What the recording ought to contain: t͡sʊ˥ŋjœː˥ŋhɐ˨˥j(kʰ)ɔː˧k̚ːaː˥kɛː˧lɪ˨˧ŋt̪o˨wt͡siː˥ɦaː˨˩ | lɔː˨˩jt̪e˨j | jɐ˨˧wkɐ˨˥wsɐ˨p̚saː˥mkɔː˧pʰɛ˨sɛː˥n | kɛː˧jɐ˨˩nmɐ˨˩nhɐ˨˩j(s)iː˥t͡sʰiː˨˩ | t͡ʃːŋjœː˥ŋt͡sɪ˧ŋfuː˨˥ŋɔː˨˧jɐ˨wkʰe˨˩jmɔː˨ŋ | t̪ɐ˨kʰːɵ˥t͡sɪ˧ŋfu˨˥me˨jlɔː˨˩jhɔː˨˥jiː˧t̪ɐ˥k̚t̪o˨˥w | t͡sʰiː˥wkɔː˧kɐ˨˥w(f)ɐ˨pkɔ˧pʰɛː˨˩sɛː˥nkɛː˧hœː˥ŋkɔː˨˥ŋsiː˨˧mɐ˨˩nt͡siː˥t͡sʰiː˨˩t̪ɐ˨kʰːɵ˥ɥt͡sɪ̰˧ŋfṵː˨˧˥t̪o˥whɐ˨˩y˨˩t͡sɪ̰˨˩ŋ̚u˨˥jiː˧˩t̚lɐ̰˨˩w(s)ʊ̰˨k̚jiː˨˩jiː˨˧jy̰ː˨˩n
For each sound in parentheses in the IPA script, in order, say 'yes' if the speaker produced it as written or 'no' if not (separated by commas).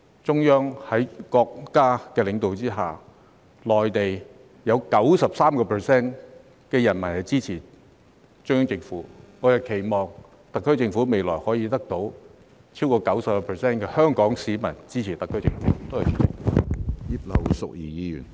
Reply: no, no, no, yes